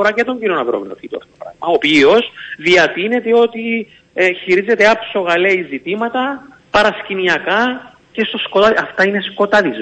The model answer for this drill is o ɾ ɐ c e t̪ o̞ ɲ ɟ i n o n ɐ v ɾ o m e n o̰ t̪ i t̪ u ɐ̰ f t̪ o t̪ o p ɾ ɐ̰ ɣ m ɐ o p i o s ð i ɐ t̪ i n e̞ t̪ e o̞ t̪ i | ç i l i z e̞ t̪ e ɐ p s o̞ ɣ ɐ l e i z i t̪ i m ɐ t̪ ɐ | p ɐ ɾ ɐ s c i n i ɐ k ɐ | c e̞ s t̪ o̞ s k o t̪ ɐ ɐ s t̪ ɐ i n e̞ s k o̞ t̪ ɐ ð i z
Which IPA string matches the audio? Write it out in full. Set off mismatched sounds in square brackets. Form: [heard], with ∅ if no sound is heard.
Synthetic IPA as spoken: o ɾ ɐ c e t̪ o̞ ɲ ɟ i n o n ɐ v ɾ o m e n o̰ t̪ i t̪ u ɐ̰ f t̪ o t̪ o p ɾ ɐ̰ ɣ m ɐ o p i o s ð i ɐ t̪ i n e̞ t̪ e o̞ t̪ i | ç i [ɾ] i z e̞ t̪ e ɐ p s o̞ ɣ ɐ l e i z i t̪ i m ɐ t̪ ɐ | p ɐ ɾ ɐ s c i n i ɐ k ɐ | c e̞ s t̪ o̞ s k o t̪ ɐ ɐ [f] t̪ ɐ i n e̞ s k o̞ t̪ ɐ ð i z